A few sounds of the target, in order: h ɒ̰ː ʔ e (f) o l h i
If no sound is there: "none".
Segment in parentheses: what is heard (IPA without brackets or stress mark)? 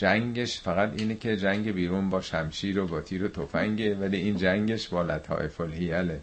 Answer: f